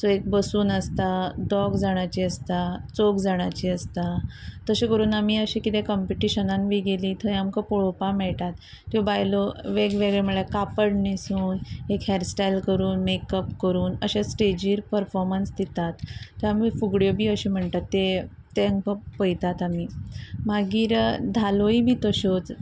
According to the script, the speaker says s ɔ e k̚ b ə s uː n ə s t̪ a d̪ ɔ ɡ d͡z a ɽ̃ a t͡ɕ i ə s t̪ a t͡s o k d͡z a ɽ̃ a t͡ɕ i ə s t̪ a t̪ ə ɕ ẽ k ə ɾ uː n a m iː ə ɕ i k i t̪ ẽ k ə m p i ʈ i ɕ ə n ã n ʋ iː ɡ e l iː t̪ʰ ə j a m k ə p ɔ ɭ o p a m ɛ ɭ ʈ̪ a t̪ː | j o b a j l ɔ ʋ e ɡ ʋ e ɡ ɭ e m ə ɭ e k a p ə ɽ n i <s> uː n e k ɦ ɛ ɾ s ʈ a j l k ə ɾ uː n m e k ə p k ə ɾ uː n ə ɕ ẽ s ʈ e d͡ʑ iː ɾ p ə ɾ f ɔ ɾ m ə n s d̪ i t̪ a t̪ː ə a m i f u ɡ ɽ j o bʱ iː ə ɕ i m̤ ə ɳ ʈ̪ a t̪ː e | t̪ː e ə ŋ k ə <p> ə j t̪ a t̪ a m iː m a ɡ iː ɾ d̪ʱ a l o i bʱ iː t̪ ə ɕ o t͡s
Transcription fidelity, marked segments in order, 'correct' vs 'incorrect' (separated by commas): correct, correct